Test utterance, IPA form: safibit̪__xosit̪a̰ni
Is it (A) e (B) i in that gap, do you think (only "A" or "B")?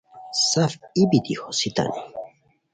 B